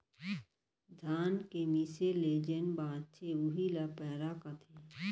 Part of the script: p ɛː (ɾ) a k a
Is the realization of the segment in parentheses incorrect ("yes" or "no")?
no